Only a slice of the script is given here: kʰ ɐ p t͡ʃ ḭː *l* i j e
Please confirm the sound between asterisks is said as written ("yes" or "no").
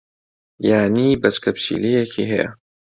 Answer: yes